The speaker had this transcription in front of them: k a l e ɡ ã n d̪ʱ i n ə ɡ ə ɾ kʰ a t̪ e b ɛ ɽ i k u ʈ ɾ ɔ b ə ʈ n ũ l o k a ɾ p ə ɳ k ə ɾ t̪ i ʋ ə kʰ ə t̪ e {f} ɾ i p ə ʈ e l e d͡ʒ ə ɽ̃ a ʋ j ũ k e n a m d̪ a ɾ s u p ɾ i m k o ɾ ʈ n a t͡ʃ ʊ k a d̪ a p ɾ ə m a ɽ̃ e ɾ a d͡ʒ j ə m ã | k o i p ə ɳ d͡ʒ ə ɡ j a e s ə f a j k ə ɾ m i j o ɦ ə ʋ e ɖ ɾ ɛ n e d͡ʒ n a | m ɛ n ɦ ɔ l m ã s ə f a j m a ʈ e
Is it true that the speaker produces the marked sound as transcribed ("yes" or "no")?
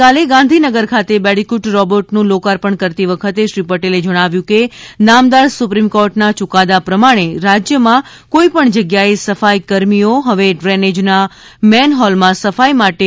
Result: no